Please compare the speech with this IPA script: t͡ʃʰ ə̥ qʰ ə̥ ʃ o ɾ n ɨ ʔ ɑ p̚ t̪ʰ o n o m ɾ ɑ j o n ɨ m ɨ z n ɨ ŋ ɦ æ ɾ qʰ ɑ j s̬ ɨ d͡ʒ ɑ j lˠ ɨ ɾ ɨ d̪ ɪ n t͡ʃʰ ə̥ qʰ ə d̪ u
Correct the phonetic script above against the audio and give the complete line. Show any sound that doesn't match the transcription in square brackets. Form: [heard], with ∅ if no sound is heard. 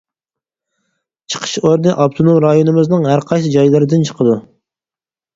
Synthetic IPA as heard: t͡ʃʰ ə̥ qʰ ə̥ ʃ o ɾ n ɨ ʔ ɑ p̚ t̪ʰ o n o m ɾ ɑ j o n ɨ m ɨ z n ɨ ŋ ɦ æ ɾ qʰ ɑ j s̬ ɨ d͡ʒ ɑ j lˠ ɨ ɾ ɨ d̪ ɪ n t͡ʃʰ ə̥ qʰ ə d̪ u